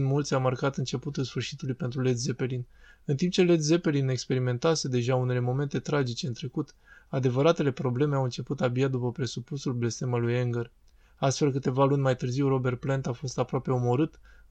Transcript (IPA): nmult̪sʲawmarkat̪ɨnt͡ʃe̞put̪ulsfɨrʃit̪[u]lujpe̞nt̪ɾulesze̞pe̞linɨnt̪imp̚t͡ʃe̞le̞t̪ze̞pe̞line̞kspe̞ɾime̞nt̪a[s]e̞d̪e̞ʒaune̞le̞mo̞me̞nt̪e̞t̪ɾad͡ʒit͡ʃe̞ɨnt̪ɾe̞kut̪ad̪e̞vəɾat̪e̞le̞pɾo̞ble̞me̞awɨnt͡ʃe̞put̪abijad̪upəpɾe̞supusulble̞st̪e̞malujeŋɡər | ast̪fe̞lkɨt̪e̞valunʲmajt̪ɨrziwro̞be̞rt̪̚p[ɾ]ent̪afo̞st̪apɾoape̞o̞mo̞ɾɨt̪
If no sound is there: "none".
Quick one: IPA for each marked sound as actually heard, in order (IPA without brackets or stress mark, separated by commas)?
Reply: u, s, l